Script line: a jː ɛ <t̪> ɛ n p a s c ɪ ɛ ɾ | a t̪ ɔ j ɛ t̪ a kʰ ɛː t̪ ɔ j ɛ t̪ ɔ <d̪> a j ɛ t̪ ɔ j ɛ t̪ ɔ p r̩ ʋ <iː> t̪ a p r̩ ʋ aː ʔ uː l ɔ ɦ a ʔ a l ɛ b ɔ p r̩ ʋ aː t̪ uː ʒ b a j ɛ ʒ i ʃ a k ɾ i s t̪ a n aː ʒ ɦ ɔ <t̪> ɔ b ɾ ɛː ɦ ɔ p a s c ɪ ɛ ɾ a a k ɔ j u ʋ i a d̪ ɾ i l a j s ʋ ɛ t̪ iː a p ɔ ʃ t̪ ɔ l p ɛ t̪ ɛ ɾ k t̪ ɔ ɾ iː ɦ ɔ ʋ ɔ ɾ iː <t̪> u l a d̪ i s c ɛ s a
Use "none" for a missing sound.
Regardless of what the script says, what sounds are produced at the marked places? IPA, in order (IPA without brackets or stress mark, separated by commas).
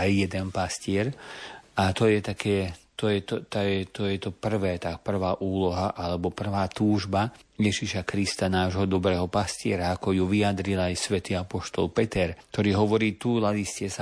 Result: d̪, t̪, ɛː, d̪, t̪